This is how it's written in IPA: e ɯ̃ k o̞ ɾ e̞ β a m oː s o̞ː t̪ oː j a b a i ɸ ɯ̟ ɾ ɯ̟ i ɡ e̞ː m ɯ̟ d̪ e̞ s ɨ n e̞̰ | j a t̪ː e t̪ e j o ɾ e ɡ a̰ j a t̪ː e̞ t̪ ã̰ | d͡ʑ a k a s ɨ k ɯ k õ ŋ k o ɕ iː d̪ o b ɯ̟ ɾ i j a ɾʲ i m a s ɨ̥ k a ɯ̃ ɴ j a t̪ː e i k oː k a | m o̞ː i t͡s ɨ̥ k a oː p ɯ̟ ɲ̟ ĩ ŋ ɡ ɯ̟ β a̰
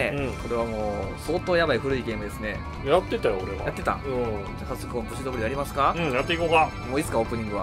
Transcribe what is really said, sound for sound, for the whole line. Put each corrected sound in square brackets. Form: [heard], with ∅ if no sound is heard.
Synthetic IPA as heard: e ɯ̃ k o̞ ɾ e̞ β a m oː s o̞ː t̪ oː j a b a i ɸ ɯ̟ ɾ ɯ̟ i ɡ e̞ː m ɯ̟ d̪ e̞ s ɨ n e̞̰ | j a t̪ː e t̪ [a] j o ɾ e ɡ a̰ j a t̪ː e̞ t̪ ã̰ | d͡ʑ a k a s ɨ k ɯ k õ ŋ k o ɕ [i] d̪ o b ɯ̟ ɾ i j a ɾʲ i m a s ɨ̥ k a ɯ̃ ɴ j a t̪ː e i k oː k a | m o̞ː i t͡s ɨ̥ k a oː p ɯ̟ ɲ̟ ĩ ŋ ɡ ɯ̟ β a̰

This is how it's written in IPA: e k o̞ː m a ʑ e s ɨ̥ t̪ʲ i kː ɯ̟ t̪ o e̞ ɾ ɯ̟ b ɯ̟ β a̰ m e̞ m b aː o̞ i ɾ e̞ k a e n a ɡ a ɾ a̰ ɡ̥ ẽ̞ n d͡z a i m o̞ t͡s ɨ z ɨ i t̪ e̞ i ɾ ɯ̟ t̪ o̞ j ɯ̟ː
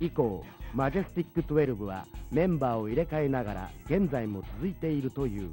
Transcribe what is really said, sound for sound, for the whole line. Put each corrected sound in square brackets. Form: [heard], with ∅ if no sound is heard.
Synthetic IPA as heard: [i] k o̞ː m a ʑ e s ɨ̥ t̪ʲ i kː ɯ̟ t̪ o e̞ ɾ ɯ̟ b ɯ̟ β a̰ m [ẽ̞] m b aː o̞ i ɾ e̞ k a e n a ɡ a ɾ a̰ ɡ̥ ẽ̞ n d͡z a i m o̞ t͡s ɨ z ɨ i t̪ e̞ i ɾ ɯ̟ t̪ o̞ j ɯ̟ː

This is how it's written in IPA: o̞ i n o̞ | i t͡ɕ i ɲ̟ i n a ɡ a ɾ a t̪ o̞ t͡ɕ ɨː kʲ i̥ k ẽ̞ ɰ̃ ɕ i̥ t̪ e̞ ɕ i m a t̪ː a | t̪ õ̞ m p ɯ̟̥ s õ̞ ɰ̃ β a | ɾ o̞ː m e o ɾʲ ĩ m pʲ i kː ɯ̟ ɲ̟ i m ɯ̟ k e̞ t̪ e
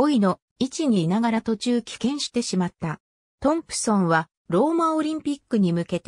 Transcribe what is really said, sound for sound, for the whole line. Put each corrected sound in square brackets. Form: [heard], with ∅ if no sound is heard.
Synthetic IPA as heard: o̞ i n o̞ | i t͡ɕ i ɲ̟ i n a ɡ a ɾ a t̪ o̞ t͡ɕ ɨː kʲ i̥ k ẽ̞ ɰ̃ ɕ i̥ t̪ e̞ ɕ i m a t̪ː a | t̪ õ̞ m p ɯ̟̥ s õ̞ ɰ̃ β a | ɾ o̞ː m [a] o ɾʲ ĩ m pʲ i kː ɯ̟ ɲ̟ i m ɯ̟ k e̞ t̪ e

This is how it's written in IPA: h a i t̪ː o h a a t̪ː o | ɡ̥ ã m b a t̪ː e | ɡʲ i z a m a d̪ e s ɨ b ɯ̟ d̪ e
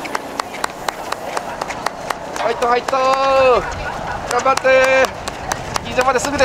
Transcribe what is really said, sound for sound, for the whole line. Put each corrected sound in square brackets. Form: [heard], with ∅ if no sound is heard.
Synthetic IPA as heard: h a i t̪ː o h a [i] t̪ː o | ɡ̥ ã m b a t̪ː e | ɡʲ i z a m a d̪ e s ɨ [ɡ] ɯ̟ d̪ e

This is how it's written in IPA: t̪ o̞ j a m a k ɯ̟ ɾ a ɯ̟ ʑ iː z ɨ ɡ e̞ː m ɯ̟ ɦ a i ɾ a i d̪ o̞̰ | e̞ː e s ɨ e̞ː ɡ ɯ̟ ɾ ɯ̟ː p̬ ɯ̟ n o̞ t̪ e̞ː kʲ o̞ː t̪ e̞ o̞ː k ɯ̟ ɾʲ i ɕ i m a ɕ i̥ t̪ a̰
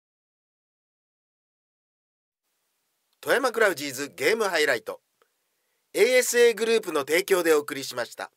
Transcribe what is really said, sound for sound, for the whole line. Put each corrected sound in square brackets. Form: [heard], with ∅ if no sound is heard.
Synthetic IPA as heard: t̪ o̞ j a m a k ɯ̟ ɾ a ɯ̟ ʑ iː z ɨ ɡ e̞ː m ɯ̟ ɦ a i ɾ a i [t̪] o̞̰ | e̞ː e s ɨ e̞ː ɡ ɯ̟ ɾ ɯ̟ː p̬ ɯ̟ n o̞ t̪ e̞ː kʲ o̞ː [d̪] e̞ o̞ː k ɯ̟ ɾʲ i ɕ i m a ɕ i̥ t̪ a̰

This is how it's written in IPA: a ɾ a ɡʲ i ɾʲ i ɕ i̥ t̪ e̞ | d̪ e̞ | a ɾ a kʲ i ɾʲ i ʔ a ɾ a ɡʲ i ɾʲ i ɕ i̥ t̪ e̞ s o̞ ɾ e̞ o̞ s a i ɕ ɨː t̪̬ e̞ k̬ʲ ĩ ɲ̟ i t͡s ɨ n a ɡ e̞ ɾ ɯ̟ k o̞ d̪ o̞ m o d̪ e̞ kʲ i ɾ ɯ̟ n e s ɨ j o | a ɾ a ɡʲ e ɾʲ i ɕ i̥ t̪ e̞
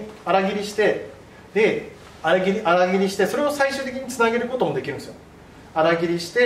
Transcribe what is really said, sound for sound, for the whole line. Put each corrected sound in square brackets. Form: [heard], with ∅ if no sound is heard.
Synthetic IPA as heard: a ɾ a ɡʲ i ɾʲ i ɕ i̥ t̪ e̞ | d̪ e̞ | a ɾ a [ɡʲ] i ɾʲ i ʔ a ɾ a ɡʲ i ɾʲ i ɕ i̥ t̪ e̞ s o̞ ɾ e̞ o̞ s a i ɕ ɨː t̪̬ e̞ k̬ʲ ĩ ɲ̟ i t͡s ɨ n a ɡ e̞ ɾ ɯ̟ k o̞ [t̪] o̞ m o d̪ e̞ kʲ i ɾ ɯ̟ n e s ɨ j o | a ɾ a ɡʲ [i] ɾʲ i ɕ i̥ t̪ e̞

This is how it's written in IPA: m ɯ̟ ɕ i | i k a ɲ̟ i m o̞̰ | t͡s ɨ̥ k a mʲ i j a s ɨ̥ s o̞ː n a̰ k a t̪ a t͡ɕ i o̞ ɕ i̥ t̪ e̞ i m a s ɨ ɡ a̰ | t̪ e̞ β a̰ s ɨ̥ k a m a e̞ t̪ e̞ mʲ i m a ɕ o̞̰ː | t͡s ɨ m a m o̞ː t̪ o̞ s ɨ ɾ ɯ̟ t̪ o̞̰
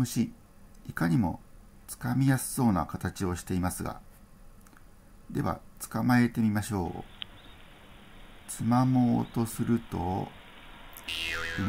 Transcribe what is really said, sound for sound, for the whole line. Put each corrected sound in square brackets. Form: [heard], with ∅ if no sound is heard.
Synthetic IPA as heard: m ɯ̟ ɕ i | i k a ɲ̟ i m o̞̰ | t͡s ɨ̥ k a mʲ i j a s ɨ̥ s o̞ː n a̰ k a t̪ a t͡ɕ i o̞ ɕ i̥ t̪ e̞ i m a s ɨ ɡ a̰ | [d̪] e̞ β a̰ [t͡s] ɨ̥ k a m a e̞ t̪ e̞ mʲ i m a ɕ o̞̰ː | t͡s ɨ m a m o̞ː t̪ o̞ s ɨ ɾ ɯ̟ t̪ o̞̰

